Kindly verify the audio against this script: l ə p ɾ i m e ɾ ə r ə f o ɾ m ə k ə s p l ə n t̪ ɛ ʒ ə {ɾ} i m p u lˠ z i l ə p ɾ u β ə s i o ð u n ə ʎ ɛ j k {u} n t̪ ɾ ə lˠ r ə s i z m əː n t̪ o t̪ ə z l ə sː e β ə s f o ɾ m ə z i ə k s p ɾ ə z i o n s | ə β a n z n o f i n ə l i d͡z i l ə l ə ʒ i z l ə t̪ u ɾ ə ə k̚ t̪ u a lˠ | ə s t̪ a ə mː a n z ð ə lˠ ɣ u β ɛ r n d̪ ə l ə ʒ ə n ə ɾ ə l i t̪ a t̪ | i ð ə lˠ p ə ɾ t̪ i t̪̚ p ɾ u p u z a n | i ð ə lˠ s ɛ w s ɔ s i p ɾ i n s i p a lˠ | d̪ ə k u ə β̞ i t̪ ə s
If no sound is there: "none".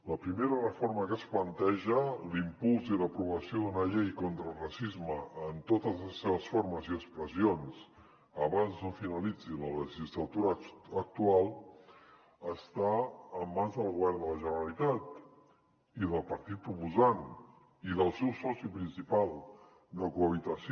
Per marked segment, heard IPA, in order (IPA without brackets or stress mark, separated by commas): l, o